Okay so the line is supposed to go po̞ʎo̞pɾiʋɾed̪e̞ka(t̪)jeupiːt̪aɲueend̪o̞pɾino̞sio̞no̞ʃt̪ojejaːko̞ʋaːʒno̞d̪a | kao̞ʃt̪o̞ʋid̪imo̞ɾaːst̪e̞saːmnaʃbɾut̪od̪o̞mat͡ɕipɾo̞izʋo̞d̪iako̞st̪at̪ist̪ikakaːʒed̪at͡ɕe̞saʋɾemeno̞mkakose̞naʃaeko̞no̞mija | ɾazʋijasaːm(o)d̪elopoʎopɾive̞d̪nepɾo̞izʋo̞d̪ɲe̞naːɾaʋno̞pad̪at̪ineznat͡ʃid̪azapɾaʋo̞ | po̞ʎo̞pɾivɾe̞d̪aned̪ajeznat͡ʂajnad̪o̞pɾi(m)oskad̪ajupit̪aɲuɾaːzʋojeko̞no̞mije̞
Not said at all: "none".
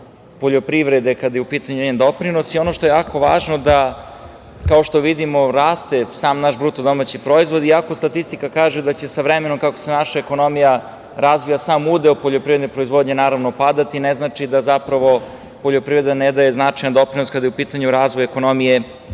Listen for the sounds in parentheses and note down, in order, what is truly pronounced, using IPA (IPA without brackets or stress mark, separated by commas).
d̪, u, n